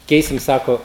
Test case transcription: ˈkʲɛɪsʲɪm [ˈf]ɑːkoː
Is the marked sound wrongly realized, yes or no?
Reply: yes